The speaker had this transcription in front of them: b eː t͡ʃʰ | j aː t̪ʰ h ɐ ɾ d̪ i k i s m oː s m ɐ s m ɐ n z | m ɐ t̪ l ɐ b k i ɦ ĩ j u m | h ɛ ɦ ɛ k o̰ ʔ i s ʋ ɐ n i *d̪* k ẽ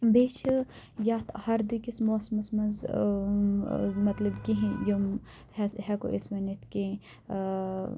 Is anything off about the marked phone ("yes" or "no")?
yes